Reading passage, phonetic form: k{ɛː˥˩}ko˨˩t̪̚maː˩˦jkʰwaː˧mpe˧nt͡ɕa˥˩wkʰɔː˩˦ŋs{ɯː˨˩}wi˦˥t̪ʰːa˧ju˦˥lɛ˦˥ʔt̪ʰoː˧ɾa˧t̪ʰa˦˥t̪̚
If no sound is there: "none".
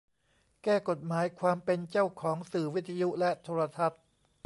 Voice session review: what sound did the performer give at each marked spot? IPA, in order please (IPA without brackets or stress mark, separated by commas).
ɛː˥˩, ɯː˨˩